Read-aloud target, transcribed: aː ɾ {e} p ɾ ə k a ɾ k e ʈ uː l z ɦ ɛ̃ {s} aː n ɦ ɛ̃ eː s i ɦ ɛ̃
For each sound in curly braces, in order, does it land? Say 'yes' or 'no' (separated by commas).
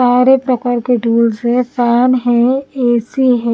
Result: yes, yes